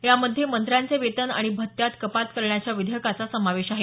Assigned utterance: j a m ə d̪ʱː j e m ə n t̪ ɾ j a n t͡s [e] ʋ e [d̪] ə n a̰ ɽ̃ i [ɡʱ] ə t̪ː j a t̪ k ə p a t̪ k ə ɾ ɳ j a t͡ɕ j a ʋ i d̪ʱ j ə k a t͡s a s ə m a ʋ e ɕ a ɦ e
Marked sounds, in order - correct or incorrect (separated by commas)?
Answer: correct, incorrect, incorrect